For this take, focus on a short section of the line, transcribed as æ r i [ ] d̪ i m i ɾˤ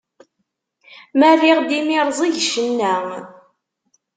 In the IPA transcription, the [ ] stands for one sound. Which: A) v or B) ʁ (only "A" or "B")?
B